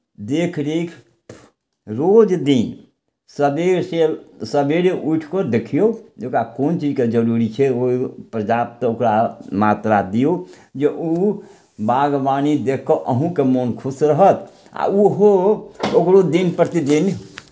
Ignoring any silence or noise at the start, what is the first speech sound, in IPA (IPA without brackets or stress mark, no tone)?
d̪